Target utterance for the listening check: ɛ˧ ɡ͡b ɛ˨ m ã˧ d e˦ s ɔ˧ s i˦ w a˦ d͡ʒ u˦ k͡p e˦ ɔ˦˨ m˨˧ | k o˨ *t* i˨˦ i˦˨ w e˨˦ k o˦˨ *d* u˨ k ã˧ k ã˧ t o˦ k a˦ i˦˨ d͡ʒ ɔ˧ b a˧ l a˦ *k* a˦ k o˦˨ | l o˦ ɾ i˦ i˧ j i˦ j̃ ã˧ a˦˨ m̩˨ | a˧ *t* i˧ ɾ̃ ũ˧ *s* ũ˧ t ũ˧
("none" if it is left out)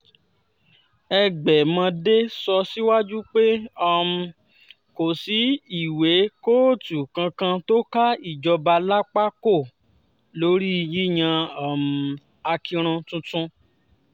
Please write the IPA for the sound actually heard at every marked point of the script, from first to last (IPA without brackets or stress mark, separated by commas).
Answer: s, t, k͡p, k, t